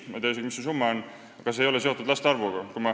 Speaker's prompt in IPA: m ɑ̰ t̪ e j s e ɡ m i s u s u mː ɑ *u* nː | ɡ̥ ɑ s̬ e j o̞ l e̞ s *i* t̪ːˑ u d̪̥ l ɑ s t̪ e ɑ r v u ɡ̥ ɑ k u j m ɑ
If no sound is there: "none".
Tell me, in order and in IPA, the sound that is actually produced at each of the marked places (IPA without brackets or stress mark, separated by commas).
o, e